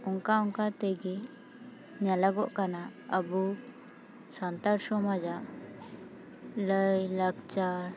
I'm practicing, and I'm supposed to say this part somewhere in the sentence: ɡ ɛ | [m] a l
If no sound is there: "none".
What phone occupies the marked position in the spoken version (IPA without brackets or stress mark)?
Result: ɲ